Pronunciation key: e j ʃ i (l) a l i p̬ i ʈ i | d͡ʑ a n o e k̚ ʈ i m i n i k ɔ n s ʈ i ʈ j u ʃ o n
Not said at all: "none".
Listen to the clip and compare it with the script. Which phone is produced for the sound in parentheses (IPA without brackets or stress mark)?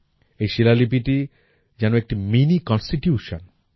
l